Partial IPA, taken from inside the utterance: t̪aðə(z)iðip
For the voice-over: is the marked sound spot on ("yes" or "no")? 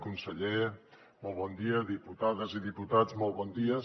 yes